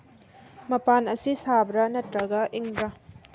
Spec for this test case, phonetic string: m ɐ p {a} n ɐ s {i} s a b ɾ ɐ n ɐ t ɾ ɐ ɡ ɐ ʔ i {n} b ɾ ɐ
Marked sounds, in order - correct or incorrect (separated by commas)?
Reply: correct, correct, incorrect